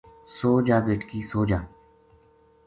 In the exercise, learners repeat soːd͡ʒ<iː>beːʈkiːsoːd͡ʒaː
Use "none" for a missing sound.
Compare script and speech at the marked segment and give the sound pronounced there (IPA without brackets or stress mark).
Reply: aː